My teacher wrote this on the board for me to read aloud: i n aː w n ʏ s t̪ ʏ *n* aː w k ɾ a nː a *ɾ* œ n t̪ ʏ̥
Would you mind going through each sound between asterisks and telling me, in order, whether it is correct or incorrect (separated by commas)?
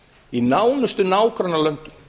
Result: correct, incorrect